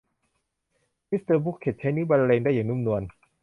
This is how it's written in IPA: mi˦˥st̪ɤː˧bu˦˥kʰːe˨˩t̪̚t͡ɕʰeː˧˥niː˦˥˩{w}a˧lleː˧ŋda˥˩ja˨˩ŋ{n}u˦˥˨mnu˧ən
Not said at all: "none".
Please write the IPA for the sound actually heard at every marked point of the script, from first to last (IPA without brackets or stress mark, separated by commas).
b, n